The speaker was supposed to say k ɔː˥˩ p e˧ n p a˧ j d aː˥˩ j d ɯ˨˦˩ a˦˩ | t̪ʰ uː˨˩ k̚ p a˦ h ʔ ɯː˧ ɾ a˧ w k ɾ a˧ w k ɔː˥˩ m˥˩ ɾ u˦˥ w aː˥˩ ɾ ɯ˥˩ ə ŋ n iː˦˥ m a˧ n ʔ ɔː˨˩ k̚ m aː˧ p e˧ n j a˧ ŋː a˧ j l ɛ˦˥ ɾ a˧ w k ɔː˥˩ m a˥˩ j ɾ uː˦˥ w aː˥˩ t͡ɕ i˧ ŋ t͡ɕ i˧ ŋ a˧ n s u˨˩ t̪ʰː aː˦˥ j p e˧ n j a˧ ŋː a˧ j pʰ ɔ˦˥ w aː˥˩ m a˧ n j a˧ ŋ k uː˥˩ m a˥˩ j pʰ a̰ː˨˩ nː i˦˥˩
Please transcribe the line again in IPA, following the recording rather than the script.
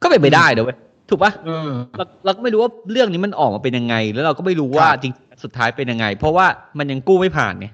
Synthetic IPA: k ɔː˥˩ p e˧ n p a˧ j d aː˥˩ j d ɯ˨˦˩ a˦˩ | t̪ʰ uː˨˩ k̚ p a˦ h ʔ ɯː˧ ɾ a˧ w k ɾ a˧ w k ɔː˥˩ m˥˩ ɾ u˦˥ w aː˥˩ ɾ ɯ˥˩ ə ŋ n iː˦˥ m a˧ n ʔ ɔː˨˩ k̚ m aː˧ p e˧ n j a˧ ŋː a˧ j l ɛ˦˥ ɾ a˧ w k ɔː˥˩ m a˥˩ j ɾ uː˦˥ w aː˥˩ t͡ɕ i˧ ŋ t͡ɕ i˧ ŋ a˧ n s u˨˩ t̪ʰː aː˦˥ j p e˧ n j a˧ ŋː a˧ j pʰ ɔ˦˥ w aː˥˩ m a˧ n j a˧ ŋ k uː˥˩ m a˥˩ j pʰ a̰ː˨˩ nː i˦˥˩